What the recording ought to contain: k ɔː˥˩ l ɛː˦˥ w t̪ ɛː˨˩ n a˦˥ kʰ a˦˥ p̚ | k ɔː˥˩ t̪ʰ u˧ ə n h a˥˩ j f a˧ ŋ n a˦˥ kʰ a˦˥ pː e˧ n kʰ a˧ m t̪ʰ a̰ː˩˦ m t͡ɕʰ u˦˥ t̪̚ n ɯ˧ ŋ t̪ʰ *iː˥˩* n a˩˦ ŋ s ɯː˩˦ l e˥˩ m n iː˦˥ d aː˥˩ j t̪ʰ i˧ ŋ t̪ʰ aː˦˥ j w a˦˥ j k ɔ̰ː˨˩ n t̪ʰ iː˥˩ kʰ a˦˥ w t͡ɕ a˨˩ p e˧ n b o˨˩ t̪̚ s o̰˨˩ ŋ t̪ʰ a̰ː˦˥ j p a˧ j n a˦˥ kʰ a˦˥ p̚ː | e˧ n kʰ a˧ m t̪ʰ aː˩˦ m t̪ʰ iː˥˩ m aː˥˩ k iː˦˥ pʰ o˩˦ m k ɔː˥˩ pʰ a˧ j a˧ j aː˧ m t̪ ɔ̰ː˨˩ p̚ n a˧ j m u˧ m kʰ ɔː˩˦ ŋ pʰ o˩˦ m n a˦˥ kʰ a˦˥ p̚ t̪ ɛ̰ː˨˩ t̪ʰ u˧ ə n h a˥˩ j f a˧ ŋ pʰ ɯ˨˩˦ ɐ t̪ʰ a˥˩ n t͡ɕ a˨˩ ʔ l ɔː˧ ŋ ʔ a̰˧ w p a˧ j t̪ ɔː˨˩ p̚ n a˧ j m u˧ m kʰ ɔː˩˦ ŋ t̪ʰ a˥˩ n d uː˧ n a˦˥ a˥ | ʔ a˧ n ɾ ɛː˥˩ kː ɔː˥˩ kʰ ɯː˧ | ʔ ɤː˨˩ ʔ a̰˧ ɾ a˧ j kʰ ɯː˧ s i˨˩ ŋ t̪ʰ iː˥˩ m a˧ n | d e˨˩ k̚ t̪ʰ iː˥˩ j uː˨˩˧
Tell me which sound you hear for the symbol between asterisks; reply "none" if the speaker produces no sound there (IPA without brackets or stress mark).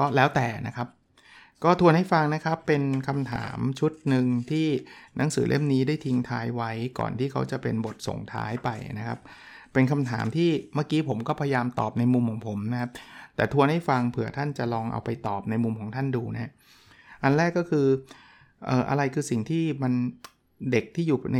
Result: iː˥˩